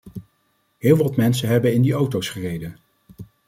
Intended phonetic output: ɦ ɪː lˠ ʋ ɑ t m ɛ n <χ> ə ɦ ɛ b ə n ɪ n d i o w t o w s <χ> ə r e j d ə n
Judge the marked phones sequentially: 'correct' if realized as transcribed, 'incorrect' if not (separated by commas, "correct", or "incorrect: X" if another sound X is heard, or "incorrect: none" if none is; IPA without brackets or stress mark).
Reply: incorrect: s, correct